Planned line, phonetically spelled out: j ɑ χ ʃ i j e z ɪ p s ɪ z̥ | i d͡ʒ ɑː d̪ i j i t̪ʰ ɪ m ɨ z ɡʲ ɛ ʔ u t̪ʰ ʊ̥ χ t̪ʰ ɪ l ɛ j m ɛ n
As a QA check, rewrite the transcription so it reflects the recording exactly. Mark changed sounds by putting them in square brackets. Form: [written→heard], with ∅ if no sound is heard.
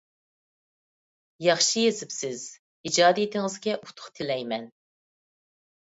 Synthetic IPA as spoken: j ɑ χ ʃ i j e z ɪ p s ɪ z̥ | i d͡ʒ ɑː d̪ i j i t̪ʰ ɪ [m→ŋ] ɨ z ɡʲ ɛ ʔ u t̪ʰ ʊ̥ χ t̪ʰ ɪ l ɛ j m ɛ n